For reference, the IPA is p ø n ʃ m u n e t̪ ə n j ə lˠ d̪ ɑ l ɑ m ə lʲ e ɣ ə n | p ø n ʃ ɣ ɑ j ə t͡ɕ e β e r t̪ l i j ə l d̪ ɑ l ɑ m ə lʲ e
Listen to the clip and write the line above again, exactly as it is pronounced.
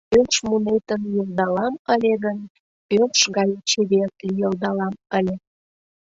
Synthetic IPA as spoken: p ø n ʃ m u n e t̪ ə n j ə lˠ d̪ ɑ l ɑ m ə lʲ e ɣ ə n | p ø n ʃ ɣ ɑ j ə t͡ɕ e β e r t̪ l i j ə l d̪ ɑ l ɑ m ə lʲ e